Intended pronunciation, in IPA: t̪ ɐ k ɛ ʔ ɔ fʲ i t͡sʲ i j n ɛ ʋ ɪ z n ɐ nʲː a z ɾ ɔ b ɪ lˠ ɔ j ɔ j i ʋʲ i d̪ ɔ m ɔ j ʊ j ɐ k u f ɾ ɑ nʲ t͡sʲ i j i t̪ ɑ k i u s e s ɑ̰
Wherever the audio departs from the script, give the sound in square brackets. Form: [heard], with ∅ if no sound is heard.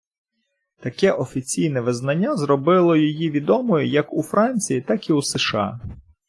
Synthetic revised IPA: t̪ ɐ k ɛ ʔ ɔ fʲ i t͡sʲ i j n ɛ ʋ ɪ z n ɐ nʲː a z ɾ ɔ b ɪ lˠ ɔ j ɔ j i ʋʲ i d̪ ɔ m ɔ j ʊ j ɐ k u f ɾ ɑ nʲ t͡sʲ i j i t̪ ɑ k i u s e [ʃ] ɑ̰